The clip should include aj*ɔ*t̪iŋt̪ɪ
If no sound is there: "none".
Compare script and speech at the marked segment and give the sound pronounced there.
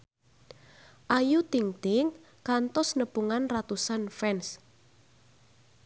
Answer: u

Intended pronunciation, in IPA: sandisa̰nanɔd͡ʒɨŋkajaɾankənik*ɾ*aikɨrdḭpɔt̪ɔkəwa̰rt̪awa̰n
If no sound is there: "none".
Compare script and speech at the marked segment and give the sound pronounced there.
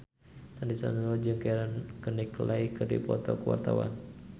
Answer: l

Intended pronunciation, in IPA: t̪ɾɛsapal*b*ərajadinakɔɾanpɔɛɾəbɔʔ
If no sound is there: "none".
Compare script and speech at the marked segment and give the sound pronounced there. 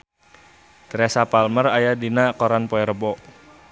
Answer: m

